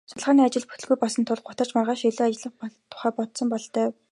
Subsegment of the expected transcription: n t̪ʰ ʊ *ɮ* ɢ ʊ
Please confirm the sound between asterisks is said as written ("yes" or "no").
yes